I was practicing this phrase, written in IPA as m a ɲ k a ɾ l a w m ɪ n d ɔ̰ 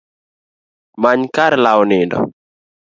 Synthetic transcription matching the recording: m a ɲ k a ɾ l a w n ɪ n d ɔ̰